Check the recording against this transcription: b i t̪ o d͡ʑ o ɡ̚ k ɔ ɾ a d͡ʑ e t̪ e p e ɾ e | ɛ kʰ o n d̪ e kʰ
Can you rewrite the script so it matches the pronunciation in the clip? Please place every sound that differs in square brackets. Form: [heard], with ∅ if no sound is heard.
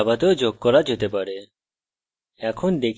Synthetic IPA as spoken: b [a] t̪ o d͡ʑ o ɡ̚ k ɔ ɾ a d͡ʑ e t̪ e p [a] ɾ e | ɛ kʰ o n d̪ e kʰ